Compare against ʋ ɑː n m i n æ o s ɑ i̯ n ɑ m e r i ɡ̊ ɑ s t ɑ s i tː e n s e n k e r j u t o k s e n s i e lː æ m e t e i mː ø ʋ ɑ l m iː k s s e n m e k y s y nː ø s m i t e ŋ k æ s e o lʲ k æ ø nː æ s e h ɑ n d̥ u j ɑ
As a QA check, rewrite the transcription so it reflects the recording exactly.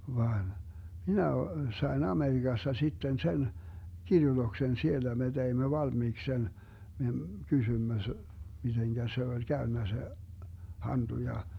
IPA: ʋ ɑː n m i n æ o s ɑ i̯ n ɑ m e r i ɡ̊ ɑ s t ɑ s i tː e n s e n k i r j u t o k s e n s i e lː æ m e t e i mː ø ʋ ɑ l m iː k s s e n m e k y s y mː ø s m i t e ŋ k æ s e o lʲ k æ ø nː æ s e h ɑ n d̥ u j ɑ

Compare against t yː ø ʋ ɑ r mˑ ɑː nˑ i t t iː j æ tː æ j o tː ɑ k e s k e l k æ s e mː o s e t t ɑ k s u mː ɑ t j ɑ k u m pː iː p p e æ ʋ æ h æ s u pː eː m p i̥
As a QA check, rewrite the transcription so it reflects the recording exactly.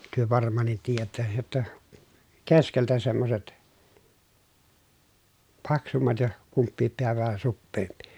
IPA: t y ø ʋ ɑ r mˑ ɑː nˑ i t t iː j æ tː æ j o tː ɑ k e s k e l t æ s e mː o s e t p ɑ k s u mː ɑ t j ɑ k u m pː iː p p e æ ʋ æ h æ s u pː eː m p i̥

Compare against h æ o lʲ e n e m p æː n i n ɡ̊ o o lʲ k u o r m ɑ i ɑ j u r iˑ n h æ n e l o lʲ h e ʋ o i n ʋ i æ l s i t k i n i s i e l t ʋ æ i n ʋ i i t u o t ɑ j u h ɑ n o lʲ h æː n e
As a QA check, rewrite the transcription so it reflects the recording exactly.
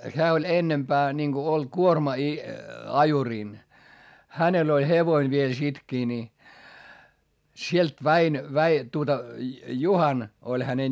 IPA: h æː o lʲ e nː e m p æː n i n ɡ̊ o o lʲ k u o r m ɑ i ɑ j u r iˑ n h æ n e l o lʲ h e ʋ o i n ʋ i e l s i t k iː n i s i e l t ʋ æ i n ʋ æ i t u o t ɑ j u h ɑ n o lʲ h æ n e

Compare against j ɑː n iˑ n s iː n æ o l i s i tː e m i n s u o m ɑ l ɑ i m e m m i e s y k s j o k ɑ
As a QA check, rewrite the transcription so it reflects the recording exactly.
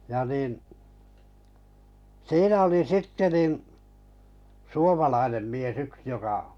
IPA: j ɑ n iˑ n s iː n æ o l i s i tː e n i n s u o m ɑ l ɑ i n e m m i e s y k s j o k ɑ

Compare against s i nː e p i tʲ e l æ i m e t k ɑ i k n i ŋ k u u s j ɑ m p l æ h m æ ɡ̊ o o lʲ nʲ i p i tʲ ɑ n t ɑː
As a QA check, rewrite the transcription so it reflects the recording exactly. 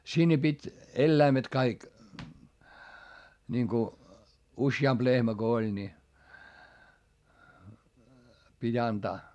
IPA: s i nː e p i tʲ e lː æ i m e t k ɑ i k n i ŋ k u u s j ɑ m p l e h m æ ɡ̊ o o lʲ nʲ i p i tʲ ɑ n t ɑː

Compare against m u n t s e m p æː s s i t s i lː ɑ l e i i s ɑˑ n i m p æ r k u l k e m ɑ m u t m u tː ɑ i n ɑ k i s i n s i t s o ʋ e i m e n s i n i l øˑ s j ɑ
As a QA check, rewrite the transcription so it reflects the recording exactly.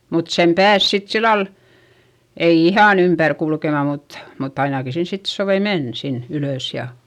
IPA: m u t s e m p æː s s i t s i lː ɑ l e i i h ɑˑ n y m p æ r k u l k e m ɑ m u t m u tː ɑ i n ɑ k i s i n s i t s o ʋ e i m e n s i n y l øˑ s j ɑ

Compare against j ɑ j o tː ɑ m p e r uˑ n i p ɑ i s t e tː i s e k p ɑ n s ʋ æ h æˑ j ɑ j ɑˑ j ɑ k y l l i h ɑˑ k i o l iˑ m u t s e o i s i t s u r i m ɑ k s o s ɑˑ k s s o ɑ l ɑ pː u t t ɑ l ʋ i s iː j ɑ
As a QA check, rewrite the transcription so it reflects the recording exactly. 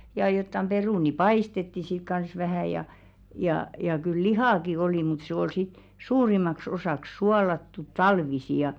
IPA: j ɑ j o tː ɑ m p e r uˑ n i p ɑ i s t e tː i s i k k ɑ n s ʋ æ h æˑ j ɑ j ɑˑ j ɑ k y l l i h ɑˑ k i o l iˑ m u t s e o i s i t s uː r i m ɑ k s o s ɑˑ k s s u ɑ l ɑ tː u t t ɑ l ʋ i s i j ɑ

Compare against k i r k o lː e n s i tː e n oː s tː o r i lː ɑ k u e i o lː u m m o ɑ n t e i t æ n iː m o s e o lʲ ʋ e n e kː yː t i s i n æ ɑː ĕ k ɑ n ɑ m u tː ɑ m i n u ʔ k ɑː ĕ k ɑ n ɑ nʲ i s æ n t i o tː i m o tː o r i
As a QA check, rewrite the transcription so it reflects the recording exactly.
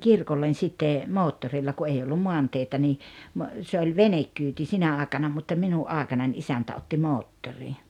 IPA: k i r k o lː e n s i tː e m oː tː o r i lː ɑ k u e i o lː u m m o ɑ n t e i t æ n iː m o s e o lʲ ʋ e n e kː yː t i s i n æ ɑː ĕ k ɑ n ɑ m u tː ɑ m i n u ʔ ʔ ɑː ĕ k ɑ n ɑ nʲ i s æ n t æ o tː i m oː tː o r i

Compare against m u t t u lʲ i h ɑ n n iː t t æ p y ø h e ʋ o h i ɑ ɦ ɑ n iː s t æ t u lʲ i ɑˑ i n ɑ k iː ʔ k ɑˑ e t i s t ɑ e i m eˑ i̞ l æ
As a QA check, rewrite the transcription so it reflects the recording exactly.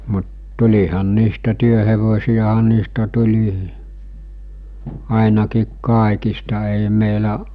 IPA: m u t t u lʲ i h ɑ n n iː s t æ t y ø h e ʋ o s i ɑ ɦ ɑ n iː s t æ t u lʲ i ɑˑ i n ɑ k iː k k ɑˑ e k i s t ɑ e i m eˑ i̞ l æ

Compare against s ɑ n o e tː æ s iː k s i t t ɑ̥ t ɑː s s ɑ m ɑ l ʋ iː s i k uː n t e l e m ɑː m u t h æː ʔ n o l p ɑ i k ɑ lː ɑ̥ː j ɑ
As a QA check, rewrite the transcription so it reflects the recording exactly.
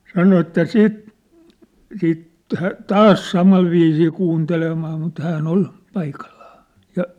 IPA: s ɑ n o e tː æ s iː t s iː t t ɑ̥ t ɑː s s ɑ m ɑ l ʋ iː s iː k uː n t e l e m ɑː m u t h æː ʔ n o l p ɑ i k ɑ lː ɑ̥ː j ɑ

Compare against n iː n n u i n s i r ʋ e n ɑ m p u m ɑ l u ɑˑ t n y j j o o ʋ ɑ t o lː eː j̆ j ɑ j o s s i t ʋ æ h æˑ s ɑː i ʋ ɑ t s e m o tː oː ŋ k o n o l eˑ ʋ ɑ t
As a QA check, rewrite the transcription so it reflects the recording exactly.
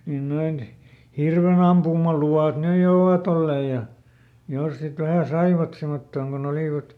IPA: n iː n n o i n h i r ʋ e n ɑ m p u m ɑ l u ɑˑ t n y j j o o ʋ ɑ t o lː eː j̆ j ɑ j o s s i t ʋ æ h æˑ s ɑ i ʋ ɑ t s e m o tː oː ŋ k o n o l iˑ ʋ ɑ t

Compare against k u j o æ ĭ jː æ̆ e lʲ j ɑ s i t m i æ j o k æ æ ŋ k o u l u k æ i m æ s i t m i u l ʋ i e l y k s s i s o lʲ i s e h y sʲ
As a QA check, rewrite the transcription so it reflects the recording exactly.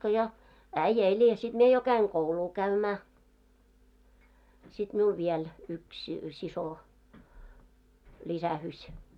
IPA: k o j o æ ĭ jː æ̆ e lʲ j ɑ s i t m i e j o k æ i ŋ k o u l uː k æ y m æː s i t m i u l ʋ i e l y k s s i s o lʲ i s æ h y sʲ

